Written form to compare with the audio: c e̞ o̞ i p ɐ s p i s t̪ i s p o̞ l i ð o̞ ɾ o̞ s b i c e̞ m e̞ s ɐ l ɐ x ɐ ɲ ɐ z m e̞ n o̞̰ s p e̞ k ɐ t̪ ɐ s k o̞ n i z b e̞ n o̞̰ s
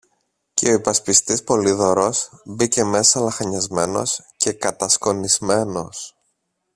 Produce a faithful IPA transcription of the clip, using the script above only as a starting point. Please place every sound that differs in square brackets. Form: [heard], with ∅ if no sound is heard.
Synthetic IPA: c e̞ o̞ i p ɐ s p i s t̪ i s p o̞ l i ð o̞ ɾ o̞ s b i c e̞ m e̞ s ɐ l ɐ x ɐ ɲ ɐ z m e̞ n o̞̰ s [c] e̞ k ɐ t̪ ɐ s k o̞ n i z [m] e̞ n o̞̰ s

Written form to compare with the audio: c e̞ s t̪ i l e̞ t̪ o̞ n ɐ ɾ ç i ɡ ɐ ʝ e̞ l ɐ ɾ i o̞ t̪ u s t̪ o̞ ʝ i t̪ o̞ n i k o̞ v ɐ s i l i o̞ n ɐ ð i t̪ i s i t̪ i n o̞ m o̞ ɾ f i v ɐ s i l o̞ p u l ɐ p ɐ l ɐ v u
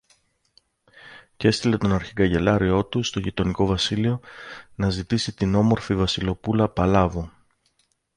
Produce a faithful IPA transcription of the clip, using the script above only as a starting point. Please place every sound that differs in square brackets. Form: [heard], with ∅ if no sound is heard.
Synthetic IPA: c e̞ s t̪ i l e̞ t̪ o̞ n ɐ ɾ ç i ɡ ɐ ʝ e̞ l ɐ ɾ i o̞ t̪ u s t̪ o̞ ʝ i t̪ o̞ n i k o̞ v ɐ s i l i o̞ n ɐ [z] i t̪ i s i t̪ i n o̞ m o̞ ɾ f i v ɐ s i l o̞ p u l ɐ p ɐ l ɐ v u

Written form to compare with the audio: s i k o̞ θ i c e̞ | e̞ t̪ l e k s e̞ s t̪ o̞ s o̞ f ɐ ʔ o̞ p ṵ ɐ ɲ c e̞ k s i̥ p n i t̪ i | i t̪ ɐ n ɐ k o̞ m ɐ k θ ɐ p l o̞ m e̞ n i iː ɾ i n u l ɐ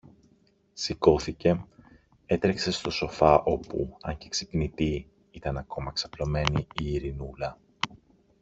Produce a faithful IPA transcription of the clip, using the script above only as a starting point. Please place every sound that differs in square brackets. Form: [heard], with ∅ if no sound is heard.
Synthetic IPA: s i k o̞ θ i c e̞ | e̞ t̪ [ɾ] e k s e̞ s t̪ o̞ s o̞ f ɐ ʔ o̞ p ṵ ɐ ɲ c e̞ k s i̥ p n i t̪ i | i t̪ ɐ n ɐ k o̞ m ɐ k [s] ɐ p l o̞ m e̞ n i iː ɾ i n u l ɐ

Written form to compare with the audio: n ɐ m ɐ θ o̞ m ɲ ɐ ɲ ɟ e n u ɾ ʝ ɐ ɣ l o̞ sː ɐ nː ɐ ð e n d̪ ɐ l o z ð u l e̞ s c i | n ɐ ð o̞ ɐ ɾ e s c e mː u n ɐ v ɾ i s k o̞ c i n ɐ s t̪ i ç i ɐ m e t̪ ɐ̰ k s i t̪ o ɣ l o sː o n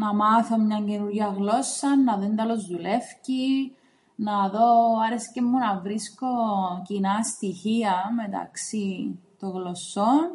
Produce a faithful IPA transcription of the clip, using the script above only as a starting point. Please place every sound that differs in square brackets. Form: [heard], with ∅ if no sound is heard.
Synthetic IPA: n ɐ m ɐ θ o̞ m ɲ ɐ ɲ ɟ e n u ɾ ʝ ɐ ɣ l o̞ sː ɐ nː ɐ ð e n d̪ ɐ l o z ð u l e̞ [f] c i | n ɐ ð o̞ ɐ ɾ e s c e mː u n ɐ v ɾ i s k o̞ c i n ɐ s t̪ i ç i ɐ m e t̪ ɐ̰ k s i t̪ o ɣ l o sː o n

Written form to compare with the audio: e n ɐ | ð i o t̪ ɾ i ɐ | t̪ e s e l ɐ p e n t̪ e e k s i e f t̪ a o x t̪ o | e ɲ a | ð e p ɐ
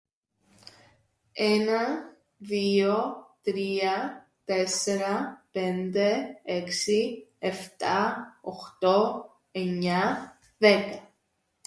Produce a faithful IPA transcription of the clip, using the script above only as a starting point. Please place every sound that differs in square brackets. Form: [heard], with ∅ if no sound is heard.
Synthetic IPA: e n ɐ | ð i o t̪ ɾ i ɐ | t̪ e s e [ɾ] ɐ p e n [d̪] e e k s i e f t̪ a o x t̪ o | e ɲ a | ð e [k] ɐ

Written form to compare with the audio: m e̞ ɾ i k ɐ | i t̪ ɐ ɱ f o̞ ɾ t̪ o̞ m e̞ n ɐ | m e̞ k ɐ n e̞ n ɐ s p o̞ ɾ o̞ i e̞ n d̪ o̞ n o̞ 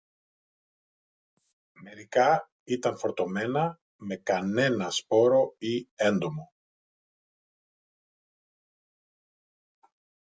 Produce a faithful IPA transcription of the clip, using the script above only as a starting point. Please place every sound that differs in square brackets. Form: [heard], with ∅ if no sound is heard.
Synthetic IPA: m e̞ ɾ i k ɐ | i t̪ ɐ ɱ f o̞ ɾ t̪ o̞ m e̞ n ɐ | m e̞ k ɐ n e̞ n ɐ s p o̞ ɾ o̞ i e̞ n d̪ o̞ [m] o̞

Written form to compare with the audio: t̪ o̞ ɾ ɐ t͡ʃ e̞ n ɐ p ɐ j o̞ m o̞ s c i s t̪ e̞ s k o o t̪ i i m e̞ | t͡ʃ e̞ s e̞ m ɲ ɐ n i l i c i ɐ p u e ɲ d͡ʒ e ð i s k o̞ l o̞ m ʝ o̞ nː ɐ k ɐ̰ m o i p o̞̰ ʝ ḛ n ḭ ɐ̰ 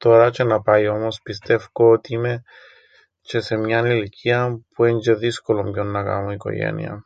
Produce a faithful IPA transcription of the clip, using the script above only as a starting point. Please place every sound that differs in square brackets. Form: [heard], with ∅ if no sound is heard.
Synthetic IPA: t̪ o̞ ɾ ɐ t͡ʃ e̞ n ɐ p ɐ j o̞ m o̞ s [p] i s t̪ e̞ [f] k o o t̪ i i m e̞ | t͡ʃ e̞ s e̞ m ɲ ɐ n i l i c i ɐ p u e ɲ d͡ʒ e ð i s k o̞ l o̞ m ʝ o̞ nː ɐ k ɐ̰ m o i [k] o̞̰ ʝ ḛ n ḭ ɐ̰

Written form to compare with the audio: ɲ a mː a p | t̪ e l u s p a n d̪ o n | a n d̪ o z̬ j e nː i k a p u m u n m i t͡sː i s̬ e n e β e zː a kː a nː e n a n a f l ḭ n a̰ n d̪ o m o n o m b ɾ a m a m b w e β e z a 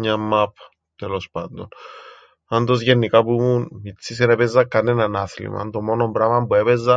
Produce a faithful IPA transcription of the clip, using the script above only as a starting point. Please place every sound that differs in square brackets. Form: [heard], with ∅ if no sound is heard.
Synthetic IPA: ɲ a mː a p | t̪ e l [o] s p a n d̪ o n | a n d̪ o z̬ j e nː i k a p u m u n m i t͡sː i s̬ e n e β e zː a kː a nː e n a n a [θ] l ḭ [m] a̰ n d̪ o m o n o m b ɾ a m a m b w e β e z a

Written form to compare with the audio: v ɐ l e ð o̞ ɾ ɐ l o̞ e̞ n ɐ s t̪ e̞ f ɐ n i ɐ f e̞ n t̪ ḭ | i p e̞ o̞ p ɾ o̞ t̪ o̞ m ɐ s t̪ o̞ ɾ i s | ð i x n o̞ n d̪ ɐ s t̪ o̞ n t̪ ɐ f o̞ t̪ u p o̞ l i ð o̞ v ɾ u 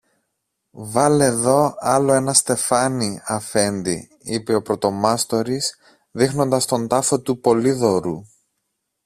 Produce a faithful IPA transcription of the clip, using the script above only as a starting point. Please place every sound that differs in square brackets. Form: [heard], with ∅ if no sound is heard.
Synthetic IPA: v ɐ l e ð o̞ [∅] ɐ l o̞ e̞ n ɐ s t̪ e̞ f ɐ n i ɐ f e̞ n [d̪] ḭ | i p e̞ o̞ p ɾ o̞ t̪ o̞ m ɐ s t̪ o̞ ɾ i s | ð i x n o̞ n d̪ ɐ s t̪ o̞ n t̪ ɐ f o̞ t̪ u p o̞ l i ð o̞ [∅] ɾ u

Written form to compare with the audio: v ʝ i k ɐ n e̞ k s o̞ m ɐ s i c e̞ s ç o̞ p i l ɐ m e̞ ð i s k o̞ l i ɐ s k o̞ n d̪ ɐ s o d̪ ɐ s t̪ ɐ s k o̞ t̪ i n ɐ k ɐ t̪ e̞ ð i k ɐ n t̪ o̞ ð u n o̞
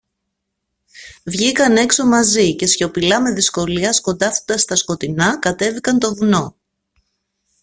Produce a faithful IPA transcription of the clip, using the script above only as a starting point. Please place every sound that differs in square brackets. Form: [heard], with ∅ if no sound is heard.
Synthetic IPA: v ʝ i k ɐ n e̞ k s o̞ m ɐ [z] i c e̞ s ç o̞ p i l ɐ m e̞ ð i s k o̞ l i ɐ s k o̞ n d̪ ɐ [f] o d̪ ɐ s t̪ ɐ s k o̞ t̪ i n ɐ k ɐ t̪ e̞ [v] i k ɐ n t̪ o̞ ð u n o̞

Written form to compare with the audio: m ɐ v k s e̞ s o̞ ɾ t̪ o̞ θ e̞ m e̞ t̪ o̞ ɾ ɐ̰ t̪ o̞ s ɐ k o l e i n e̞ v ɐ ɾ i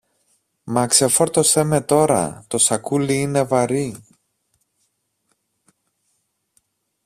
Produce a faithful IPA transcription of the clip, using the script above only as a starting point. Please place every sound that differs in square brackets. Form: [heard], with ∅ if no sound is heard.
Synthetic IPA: m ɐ [∅] k s e̞ [f] o̞ ɾ t̪ o̞ [s] e̞ m e̞ t̪ o̞ ɾ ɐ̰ t̪ o̞ s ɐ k [u] l [i] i n e̞ v ɐ ɾ i

